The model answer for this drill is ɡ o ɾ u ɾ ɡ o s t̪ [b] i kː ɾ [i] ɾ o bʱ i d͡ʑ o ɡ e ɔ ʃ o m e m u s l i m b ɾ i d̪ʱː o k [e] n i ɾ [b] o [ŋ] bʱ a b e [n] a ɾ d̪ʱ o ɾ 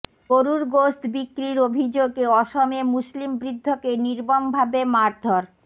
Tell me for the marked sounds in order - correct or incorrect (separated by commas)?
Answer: correct, correct, correct, correct, incorrect, incorrect